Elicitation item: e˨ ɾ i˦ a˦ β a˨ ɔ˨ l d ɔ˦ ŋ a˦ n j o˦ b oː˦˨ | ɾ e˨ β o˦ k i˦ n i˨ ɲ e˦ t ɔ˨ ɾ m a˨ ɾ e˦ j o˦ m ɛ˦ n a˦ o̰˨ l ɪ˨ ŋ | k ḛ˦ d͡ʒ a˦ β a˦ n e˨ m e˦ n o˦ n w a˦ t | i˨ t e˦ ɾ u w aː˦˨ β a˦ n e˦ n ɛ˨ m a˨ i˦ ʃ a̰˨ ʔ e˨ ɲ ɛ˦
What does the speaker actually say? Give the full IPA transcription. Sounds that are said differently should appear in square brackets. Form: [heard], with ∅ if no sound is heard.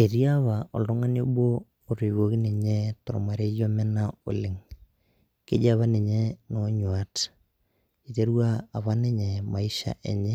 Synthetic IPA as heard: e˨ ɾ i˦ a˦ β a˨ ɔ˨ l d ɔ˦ ŋ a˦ n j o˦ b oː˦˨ | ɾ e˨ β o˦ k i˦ n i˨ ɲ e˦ t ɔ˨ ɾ m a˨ ɾ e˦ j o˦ m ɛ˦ n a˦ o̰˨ l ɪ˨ ŋ | k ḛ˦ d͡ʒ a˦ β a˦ n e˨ [ɲ] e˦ n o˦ [ɲ] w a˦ t | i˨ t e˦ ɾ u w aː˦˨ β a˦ n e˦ [ɲ] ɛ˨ m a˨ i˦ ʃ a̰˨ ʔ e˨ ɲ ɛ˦